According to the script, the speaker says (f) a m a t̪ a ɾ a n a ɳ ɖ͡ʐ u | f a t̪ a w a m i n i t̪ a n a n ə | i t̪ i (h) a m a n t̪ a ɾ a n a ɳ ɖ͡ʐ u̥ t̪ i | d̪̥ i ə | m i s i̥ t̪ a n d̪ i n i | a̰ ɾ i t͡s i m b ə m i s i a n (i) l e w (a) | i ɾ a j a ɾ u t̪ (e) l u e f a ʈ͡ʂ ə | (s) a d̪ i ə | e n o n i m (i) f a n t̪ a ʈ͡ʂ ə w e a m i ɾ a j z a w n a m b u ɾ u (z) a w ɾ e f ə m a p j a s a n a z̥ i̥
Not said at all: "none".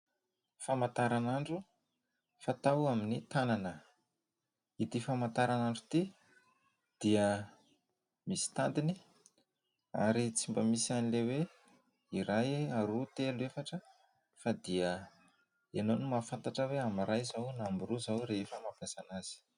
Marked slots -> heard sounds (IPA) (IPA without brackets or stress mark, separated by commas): f, f, i, e, e, f, a, z